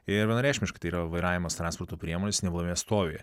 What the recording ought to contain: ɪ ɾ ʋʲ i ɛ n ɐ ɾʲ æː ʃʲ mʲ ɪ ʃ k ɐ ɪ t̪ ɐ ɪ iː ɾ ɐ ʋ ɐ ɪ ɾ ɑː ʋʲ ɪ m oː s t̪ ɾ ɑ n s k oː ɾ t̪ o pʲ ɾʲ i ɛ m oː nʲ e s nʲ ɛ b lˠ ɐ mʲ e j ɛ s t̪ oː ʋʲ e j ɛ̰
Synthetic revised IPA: ɪ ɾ ʋʲ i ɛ n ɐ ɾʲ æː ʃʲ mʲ ɪ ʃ k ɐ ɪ t̪ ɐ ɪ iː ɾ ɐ ʋ ɐ ɪ ɾ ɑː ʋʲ ɪ m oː s t̪ ɾ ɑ n s p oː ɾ t̪ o pʲ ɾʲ i ɛ m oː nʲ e s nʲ ɛ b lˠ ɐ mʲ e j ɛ s t̪ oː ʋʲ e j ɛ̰